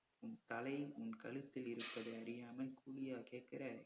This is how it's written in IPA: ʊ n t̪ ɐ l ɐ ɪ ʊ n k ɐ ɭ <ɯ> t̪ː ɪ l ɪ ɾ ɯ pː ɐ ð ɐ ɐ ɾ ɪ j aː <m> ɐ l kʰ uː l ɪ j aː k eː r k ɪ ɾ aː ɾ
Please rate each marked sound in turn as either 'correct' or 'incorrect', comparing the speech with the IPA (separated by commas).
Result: correct, correct